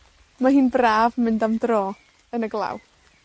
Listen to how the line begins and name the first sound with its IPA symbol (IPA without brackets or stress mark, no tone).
m